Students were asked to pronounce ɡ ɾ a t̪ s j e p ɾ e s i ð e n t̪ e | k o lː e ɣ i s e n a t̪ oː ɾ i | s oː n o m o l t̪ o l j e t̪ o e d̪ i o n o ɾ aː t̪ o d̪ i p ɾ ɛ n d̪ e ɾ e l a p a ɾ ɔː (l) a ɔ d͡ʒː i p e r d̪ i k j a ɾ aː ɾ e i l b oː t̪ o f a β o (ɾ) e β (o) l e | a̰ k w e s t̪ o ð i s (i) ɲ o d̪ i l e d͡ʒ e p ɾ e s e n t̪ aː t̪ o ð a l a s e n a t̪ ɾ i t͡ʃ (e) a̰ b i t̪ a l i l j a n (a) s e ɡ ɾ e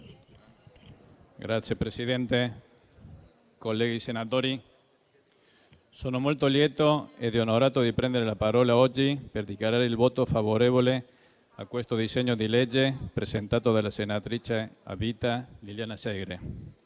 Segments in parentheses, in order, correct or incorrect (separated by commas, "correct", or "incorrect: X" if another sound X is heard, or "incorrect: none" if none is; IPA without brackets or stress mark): correct, correct, correct, incorrect: e, correct, correct